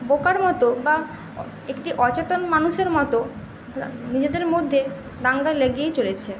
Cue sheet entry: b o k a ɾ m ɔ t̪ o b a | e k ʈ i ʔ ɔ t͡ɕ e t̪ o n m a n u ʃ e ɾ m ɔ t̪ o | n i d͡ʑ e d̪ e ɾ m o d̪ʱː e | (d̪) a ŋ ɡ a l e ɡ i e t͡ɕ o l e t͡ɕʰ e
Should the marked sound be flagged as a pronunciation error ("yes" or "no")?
no